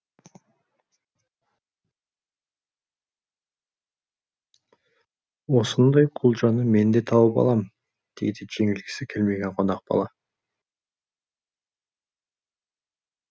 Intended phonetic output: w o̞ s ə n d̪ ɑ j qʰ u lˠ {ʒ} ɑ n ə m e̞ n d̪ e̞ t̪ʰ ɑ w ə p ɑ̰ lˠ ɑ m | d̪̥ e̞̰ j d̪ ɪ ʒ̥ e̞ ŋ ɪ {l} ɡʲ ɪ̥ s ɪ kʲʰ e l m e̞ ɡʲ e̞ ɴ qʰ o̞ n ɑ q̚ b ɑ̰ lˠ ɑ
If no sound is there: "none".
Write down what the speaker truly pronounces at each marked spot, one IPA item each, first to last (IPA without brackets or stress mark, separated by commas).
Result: ʒ, l